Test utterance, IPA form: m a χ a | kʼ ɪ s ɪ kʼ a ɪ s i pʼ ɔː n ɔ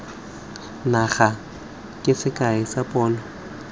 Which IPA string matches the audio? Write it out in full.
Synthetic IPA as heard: n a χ a | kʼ ɪ s ɪ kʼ a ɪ s a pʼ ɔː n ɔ